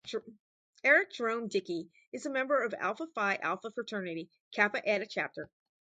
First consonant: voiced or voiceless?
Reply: voiced